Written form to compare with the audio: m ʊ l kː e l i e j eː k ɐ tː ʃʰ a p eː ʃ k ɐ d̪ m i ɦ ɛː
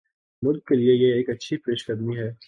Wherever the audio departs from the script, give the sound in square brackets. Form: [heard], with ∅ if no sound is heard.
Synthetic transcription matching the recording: m ʊ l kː e l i e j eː k ɐ tː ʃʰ [i] p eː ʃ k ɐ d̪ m i ɦ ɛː